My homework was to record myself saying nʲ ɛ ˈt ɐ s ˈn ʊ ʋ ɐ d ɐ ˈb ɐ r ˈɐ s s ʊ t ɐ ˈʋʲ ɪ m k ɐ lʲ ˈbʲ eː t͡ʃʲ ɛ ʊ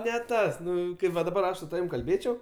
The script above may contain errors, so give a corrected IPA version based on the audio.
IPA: nʲ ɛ ˈt ɐ s ˈn ʊ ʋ ɐ d ɐ ˈb ɐ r ˈɐ ʃ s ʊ t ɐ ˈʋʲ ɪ m k ɐ lʲ ˈbʲ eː t͡ʃʲ ɛ ʊ